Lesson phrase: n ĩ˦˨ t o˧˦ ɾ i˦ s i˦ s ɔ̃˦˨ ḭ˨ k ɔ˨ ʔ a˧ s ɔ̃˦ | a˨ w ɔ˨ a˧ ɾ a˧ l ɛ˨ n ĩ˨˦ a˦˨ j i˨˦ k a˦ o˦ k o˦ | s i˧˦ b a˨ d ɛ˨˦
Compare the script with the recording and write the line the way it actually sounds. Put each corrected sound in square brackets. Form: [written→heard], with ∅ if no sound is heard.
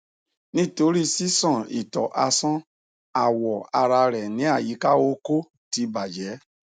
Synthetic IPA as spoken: n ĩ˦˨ t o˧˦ ɾ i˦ s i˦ s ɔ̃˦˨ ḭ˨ [k→t] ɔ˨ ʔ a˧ s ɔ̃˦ | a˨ w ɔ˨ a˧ ɾ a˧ [l→ɾ] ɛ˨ n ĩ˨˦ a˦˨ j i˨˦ k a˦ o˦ k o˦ | [s→t] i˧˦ b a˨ [d→d͡ʒ] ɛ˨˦

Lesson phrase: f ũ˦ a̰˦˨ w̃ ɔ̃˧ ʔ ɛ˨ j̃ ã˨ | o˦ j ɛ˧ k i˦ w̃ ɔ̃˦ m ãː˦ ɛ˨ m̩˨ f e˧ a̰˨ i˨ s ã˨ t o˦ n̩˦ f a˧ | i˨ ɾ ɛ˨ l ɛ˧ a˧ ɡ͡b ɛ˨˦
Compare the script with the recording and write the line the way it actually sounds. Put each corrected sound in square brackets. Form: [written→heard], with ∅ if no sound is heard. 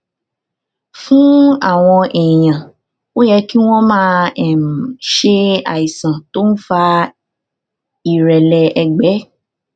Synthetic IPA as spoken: f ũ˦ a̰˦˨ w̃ ɔ̃˧ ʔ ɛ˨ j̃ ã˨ | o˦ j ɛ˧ k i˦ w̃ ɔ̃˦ m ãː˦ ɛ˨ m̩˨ [f→ʃ] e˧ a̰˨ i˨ s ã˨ t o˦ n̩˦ f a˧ | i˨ ɾ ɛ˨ l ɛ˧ [a˧→ɛ˧] ɡ͡b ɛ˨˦

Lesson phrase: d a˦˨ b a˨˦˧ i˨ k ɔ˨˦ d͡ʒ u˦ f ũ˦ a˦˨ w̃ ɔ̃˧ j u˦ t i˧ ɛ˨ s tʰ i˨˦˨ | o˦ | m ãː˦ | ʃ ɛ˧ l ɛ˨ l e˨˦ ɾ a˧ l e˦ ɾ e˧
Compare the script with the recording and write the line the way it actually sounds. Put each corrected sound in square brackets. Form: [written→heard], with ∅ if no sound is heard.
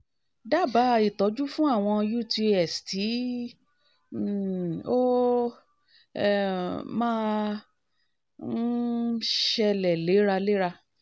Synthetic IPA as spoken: d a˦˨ b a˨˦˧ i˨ [k→t] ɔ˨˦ d͡ʒ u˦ f ũ˦ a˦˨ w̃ ɔ̃˧ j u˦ t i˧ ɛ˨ s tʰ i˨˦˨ | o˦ | m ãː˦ | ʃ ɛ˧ l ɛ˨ l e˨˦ ɾ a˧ l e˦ ɾ [e˧→a˧]

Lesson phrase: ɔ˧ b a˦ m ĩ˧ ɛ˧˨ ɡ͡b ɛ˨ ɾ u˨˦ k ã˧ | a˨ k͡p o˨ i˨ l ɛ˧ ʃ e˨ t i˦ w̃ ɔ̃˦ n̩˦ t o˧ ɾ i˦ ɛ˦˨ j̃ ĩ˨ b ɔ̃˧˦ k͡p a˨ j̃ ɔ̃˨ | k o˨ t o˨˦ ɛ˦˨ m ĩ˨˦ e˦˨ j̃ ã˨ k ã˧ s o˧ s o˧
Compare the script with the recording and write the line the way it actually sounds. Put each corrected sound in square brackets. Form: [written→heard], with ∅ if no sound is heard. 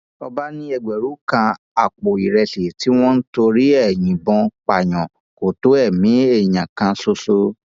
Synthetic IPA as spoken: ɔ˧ b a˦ [m→n] ĩ˧ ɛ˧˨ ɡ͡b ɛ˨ ɾ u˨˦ k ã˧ | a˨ k͡p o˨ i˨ [l→ɾ] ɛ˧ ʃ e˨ t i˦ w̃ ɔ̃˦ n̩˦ t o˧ ɾ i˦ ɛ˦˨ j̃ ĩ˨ b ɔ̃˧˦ k͡p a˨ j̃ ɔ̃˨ | k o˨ t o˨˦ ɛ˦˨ m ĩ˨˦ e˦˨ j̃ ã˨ k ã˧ s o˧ s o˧

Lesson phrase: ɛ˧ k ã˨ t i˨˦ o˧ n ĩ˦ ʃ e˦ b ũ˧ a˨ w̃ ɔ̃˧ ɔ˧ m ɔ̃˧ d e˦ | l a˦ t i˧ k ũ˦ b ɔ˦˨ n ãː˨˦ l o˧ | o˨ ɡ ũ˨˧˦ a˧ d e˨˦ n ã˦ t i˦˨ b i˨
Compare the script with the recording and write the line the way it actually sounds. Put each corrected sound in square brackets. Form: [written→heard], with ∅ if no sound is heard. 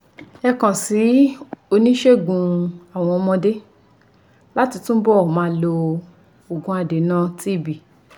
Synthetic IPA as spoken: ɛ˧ k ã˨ [t→s] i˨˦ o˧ n ĩ˦ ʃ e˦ [b→ɡ] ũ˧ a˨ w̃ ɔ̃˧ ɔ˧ m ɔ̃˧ d e˦ | l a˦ t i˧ [k→t] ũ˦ b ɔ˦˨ [n→m] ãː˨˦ l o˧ | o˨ ɡ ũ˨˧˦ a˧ d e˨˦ n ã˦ t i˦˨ b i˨

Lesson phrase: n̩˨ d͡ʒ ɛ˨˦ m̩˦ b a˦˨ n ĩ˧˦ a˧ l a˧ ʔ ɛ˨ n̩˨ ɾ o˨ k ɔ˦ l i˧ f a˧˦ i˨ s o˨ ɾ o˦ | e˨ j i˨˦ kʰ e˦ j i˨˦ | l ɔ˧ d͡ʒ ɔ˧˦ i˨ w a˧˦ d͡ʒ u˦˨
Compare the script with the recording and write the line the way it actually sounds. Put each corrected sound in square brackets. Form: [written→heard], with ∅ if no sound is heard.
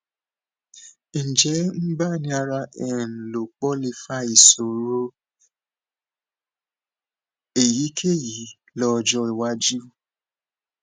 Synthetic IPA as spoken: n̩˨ d͡ʒ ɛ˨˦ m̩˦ b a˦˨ n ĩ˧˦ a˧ [l→ɾ] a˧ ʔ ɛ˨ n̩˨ [ɾ→l] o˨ [k→k͡p] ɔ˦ l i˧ f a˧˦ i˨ s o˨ ɾ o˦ | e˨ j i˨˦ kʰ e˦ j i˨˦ | l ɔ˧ d͡ʒ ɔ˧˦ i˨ w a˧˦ d͡ʒ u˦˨

